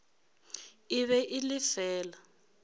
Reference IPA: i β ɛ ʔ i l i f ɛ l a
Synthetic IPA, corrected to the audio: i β ɛ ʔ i l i f ɛː l a